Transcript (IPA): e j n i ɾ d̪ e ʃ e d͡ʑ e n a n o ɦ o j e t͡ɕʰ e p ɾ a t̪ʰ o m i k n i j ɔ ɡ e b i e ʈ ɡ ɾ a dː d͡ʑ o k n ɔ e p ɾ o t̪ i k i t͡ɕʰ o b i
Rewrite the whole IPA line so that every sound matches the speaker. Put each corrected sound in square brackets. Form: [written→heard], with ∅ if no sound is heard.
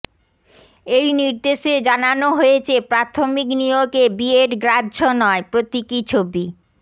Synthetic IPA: e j n i ɾ d̪ e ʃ e d͡ʑ [e→a] n a n o ɦ o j e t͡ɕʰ e p ɾ a t̪ʰ o m i k n i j [ɔ→o] ɡ e b i e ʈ ɡ ɾ a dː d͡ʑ o [k→∅] n ɔ e p ɾ o t̪ i k i t͡ɕʰ o b i